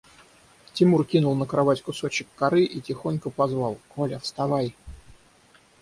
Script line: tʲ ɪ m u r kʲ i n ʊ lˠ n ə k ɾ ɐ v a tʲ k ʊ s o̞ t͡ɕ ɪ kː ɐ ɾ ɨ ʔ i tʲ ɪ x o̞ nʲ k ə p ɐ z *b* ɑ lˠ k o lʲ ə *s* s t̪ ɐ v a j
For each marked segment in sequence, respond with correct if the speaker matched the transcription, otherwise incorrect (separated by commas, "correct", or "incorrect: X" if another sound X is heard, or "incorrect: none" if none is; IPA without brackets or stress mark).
incorrect: v, incorrect: f